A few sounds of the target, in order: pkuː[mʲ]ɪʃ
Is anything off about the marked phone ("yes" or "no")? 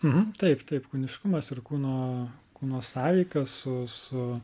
yes